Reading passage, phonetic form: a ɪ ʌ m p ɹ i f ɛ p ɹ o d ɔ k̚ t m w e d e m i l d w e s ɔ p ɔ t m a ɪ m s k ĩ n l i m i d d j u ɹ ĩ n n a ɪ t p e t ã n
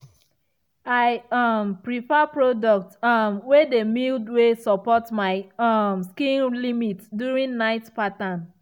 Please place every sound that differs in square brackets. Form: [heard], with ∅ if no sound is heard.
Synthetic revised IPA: a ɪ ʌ m p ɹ i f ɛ p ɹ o d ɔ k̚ t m w e d e m i l d w e s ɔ p ɔ t m a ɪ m s k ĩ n l i m i [t] d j u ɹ ĩ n n a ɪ t p [a] t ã n